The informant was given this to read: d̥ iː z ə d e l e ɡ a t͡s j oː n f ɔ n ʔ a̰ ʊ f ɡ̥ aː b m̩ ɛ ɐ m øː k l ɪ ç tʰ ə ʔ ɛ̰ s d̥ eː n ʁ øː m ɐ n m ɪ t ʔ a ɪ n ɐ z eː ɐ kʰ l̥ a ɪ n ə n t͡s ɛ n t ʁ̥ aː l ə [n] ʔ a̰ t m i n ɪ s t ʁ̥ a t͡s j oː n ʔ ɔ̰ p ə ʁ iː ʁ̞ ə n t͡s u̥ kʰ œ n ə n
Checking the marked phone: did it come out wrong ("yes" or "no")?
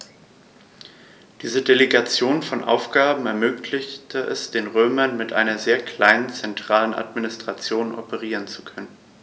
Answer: no